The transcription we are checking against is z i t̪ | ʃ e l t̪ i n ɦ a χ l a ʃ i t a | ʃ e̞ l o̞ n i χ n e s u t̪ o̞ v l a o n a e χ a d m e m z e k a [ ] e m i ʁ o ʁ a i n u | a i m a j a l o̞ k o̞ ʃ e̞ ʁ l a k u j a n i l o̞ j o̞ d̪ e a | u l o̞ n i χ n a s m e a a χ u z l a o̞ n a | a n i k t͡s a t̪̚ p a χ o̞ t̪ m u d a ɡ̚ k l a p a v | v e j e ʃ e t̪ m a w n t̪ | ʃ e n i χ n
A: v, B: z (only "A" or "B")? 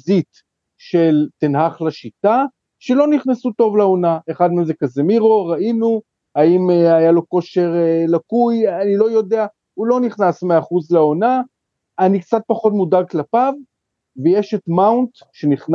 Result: B